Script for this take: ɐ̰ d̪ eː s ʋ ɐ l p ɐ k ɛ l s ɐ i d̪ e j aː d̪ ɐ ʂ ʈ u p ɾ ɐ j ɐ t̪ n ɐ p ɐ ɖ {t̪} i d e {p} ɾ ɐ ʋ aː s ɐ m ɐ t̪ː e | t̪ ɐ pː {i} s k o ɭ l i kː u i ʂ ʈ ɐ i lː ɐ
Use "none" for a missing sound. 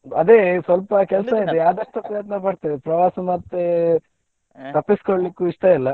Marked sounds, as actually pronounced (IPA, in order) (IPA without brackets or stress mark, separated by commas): t̪, p, i